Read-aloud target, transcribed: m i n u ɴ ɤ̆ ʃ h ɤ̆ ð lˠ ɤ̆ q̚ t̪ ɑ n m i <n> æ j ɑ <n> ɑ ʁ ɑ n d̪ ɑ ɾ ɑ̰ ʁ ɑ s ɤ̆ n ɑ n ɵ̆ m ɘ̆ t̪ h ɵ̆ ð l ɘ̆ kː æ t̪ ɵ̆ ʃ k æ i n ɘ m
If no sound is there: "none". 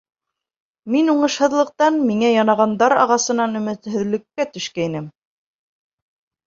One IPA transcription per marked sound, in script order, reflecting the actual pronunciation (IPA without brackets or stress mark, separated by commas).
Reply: ŋ, n